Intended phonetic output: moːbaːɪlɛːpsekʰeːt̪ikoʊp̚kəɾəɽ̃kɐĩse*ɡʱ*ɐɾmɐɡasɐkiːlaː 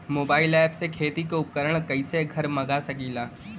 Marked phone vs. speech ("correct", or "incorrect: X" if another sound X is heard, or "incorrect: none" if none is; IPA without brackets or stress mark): correct